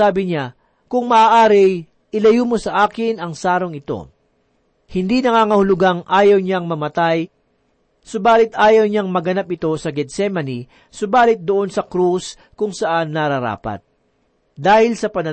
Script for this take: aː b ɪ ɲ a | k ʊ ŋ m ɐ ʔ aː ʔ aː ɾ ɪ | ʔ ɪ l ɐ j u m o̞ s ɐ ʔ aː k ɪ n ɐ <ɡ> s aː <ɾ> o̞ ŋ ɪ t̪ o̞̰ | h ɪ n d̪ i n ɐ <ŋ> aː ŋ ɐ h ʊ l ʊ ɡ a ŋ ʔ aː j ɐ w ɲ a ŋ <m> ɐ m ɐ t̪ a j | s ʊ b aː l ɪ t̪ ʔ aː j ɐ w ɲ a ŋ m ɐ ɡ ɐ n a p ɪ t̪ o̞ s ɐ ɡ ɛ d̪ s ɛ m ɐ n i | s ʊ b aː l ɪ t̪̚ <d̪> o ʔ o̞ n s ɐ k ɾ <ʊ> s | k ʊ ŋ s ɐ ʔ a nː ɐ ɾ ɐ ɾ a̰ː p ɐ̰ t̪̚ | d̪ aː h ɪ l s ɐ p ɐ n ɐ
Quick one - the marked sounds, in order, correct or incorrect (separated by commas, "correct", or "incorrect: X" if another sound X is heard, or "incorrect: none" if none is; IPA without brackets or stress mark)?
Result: incorrect: ŋ, correct, correct, correct, correct, incorrect: u